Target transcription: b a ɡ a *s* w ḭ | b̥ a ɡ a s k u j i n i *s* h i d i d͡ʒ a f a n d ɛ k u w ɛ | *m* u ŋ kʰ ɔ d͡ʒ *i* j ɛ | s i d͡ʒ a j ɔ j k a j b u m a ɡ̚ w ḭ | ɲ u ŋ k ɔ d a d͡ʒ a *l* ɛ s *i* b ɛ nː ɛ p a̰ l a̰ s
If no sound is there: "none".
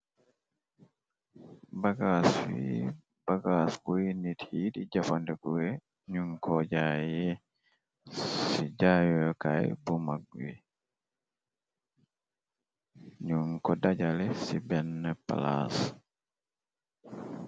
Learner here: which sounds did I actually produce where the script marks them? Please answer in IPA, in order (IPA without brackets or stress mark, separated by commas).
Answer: s, t, ɲ, a, l, i